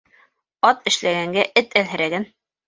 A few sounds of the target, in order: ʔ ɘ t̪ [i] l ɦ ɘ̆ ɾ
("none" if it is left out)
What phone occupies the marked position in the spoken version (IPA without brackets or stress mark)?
æ